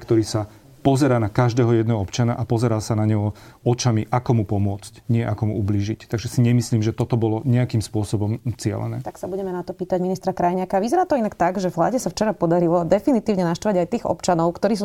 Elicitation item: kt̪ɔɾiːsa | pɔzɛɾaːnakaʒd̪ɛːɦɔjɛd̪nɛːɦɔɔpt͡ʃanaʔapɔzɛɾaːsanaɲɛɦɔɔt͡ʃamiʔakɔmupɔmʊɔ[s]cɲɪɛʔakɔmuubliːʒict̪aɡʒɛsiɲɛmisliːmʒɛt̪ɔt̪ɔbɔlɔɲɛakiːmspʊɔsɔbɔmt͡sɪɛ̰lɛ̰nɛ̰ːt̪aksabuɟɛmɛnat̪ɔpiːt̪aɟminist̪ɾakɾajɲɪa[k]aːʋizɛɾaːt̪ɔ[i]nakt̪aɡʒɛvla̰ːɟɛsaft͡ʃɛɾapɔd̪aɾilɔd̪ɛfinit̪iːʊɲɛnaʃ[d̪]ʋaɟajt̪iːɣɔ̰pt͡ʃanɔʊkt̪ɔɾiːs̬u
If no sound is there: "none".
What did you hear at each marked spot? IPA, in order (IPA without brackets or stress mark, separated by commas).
t͡s, k, i, t̪